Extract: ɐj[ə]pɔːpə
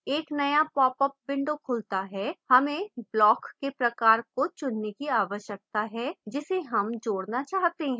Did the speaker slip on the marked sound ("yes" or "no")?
yes